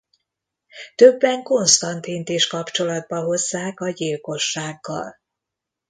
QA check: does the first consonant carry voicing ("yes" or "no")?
no